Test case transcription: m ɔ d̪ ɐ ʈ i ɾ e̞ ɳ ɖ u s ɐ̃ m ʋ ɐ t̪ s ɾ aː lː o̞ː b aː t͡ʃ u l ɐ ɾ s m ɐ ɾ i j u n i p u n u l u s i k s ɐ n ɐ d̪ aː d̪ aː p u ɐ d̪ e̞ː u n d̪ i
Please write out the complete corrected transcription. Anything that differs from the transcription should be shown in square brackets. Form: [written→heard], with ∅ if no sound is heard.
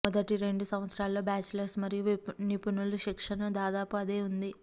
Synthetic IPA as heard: m ɔ d̪ ɐ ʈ i ɾ e̞ ɳ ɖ u s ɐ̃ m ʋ ɐ t̪ s ɾ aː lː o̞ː b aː t͡ʃ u l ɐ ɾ s m ɐ ɾ i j u n i p u n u l u [s→ʃ] i k [s→ʂ] ɐ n ɐ d̪ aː d̪ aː p u ɐ d̪ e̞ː u n d̪ i